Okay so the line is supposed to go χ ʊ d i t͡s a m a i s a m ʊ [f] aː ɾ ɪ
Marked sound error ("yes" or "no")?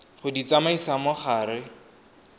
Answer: yes